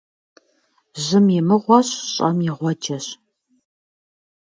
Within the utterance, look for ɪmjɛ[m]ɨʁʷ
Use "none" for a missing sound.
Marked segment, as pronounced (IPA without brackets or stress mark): m